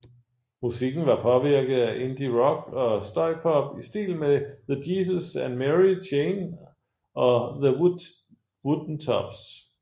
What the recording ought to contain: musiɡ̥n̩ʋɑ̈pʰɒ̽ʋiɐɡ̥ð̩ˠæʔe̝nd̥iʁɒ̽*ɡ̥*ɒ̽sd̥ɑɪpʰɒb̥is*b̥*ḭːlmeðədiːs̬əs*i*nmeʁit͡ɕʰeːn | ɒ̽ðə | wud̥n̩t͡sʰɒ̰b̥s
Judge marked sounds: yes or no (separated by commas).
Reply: yes, no, no